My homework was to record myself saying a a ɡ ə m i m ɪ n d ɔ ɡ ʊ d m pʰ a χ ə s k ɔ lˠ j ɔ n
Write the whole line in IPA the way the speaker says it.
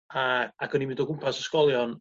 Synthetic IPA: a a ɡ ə n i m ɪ n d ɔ ɡ ʊ m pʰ a s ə s k ɔ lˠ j ɔ n